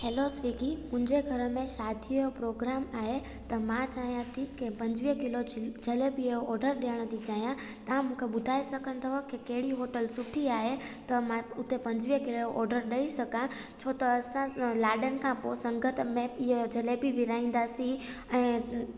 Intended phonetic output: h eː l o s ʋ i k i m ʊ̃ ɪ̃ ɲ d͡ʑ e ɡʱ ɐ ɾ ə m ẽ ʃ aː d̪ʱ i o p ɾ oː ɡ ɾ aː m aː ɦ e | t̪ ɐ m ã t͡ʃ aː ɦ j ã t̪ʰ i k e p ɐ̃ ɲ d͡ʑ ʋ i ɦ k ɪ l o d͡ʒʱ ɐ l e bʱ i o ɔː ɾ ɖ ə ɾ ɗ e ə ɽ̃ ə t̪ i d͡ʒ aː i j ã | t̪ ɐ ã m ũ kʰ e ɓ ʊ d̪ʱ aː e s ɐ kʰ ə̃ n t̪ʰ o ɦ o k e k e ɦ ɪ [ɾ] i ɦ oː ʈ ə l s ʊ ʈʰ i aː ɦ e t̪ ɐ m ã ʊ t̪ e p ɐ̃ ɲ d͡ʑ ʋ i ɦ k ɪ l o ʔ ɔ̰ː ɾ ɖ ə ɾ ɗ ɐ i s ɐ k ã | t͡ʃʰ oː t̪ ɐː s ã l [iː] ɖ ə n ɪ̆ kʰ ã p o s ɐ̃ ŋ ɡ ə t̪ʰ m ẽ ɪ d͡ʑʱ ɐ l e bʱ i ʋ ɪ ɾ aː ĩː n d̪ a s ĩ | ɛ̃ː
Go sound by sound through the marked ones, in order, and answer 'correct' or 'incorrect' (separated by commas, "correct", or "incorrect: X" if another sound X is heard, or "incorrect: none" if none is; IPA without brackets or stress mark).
incorrect: ɽ, incorrect: aː